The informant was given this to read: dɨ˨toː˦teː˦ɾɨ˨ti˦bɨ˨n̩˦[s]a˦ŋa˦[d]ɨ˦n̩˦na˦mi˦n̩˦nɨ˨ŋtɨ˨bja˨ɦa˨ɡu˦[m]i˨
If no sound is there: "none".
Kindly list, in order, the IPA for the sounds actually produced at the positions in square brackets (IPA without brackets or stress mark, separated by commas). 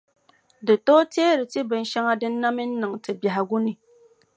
ʃ, d, n